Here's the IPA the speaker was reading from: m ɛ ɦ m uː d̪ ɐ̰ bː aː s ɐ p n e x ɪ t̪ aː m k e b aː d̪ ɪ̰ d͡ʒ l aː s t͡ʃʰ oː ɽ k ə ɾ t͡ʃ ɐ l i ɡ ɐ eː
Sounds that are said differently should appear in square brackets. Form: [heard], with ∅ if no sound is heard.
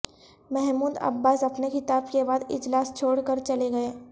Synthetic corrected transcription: m ɛ ɦ m uː d̪ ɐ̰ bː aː s ɐ p n e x ɪ t̪ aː [b] k e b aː d̪ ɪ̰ d͡ʒ l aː s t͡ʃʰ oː ɽ k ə ɾ t͡ʃ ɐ l [e] ɡ ɐ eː